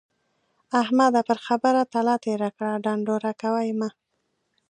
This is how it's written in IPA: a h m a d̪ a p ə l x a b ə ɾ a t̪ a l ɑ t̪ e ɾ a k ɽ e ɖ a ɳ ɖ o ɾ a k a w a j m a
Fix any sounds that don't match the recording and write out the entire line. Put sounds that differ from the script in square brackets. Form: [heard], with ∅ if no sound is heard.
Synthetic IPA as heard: a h m a d̪ a p ə [ɾ] x a b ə ɾ a t̪ a l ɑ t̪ e ɾ a k ɽ [a] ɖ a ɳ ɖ o ɾ a k a w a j m a